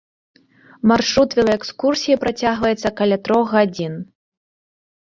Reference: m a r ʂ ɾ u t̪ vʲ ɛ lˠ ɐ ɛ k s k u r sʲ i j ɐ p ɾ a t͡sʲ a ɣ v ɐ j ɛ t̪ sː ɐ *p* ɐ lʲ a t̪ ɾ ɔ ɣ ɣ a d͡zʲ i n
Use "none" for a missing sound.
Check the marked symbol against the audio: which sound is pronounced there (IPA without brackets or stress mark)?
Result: k